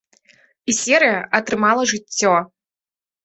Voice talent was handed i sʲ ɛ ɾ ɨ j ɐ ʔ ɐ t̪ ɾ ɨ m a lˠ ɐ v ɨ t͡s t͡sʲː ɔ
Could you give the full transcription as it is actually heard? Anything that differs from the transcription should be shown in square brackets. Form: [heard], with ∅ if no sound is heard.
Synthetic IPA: i sʲ ɛ ɾ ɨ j ɐ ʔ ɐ t̪ ɾ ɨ m a lˠ ɐ [ʐ] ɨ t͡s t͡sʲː ɔ